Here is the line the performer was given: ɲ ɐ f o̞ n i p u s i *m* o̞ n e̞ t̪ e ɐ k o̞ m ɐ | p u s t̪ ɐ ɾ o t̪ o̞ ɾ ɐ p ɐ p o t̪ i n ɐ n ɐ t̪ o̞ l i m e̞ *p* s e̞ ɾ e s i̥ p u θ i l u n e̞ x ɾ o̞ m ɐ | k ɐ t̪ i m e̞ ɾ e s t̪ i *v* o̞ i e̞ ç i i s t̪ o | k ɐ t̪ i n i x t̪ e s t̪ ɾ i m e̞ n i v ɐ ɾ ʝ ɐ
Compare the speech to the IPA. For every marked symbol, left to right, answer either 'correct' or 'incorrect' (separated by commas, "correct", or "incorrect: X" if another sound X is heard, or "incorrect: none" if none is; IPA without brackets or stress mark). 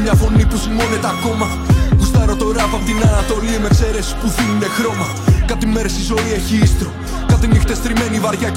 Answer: correct, incorrect: k, incorrect: z